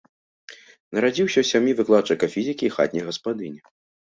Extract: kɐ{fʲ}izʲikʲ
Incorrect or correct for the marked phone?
correct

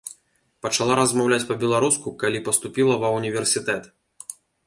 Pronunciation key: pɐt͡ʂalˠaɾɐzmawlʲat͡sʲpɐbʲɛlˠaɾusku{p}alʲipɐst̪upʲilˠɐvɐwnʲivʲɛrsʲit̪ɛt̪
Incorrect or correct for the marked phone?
incorrect: k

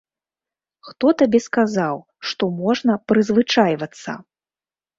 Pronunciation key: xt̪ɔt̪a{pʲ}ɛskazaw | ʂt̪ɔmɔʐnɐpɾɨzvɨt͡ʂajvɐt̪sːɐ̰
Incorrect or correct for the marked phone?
incorrect: bʲ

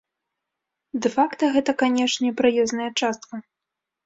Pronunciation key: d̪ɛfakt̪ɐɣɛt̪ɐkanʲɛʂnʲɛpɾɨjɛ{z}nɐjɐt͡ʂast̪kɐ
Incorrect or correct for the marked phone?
correct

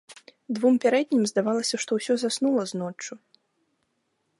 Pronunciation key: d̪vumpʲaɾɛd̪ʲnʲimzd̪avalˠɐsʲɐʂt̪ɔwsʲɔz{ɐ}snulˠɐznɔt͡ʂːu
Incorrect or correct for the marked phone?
incorrect: a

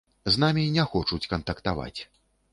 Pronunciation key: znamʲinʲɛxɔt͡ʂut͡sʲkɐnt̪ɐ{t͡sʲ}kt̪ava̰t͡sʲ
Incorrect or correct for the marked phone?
incorrect: none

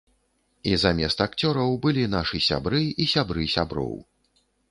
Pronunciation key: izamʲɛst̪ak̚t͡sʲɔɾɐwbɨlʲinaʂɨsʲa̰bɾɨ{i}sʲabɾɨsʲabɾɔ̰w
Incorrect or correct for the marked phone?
correct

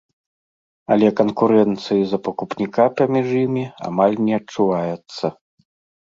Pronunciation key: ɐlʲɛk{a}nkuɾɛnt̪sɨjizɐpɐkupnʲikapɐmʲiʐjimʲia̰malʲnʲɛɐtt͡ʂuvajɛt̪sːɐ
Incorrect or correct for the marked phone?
incorrect: ɐ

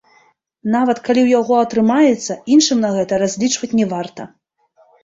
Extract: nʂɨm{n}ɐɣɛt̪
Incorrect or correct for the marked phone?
correct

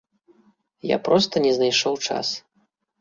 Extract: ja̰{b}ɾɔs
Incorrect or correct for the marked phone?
incorrect: p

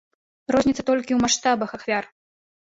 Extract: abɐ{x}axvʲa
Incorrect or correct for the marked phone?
correct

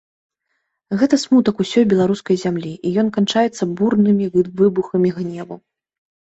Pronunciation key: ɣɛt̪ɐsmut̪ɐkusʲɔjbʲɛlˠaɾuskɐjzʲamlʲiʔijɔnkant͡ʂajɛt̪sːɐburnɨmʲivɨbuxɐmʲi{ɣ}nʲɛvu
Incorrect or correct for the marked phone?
correct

